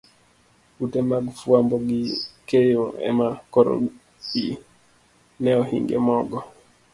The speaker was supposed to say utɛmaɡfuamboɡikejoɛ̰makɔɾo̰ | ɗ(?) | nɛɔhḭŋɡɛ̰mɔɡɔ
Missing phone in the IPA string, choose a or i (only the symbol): i